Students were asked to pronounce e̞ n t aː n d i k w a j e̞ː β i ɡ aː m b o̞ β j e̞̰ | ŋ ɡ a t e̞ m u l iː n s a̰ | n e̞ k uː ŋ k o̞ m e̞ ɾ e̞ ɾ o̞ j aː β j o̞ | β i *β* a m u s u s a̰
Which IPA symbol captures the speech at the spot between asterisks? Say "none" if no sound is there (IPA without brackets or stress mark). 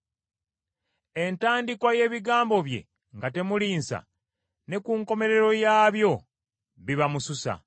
β